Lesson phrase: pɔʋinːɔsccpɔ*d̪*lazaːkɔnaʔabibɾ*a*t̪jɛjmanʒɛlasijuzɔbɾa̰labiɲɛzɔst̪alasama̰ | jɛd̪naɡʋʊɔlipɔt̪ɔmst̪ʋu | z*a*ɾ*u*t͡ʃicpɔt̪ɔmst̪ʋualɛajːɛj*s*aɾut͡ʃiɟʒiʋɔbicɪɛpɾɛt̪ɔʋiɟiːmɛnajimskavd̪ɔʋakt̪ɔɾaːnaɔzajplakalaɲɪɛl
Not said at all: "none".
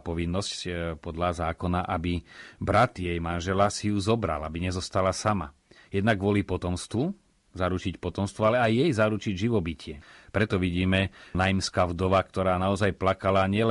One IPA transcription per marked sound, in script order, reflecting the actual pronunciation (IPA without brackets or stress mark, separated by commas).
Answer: d̪, a, a, u, z